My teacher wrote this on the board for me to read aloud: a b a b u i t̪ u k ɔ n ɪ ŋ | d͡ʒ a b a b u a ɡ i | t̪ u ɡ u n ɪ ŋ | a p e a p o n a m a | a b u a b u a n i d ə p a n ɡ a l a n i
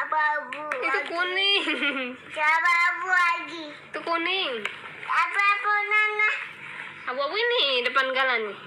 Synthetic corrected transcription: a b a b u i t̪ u k u n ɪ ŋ | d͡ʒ a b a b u a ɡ i | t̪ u k u n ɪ ŋ | a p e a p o n a n a | a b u a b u i n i d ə p a n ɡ a l a n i